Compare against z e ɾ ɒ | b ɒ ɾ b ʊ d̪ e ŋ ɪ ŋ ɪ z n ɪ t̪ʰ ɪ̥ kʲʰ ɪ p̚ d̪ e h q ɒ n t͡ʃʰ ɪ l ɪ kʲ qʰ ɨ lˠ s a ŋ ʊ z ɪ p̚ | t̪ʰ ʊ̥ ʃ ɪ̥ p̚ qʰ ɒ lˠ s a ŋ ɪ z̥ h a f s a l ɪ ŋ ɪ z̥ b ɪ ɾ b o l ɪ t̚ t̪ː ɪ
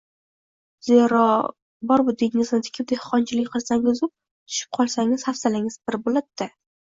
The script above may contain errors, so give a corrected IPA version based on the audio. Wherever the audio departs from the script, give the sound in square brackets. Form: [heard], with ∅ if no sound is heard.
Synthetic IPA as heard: z e ɾ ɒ | b ɒ ɾ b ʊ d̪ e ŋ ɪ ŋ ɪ z n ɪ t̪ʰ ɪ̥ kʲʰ ɪ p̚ d̪ e h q ɒ n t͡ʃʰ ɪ l ɪ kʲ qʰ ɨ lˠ s a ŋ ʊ z ɪ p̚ | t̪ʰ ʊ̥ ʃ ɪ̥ p̚ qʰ ɒ lˠ s a ŋ ɪ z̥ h a f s a l ɪ ŋ ɪ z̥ b ɪ ɾ b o l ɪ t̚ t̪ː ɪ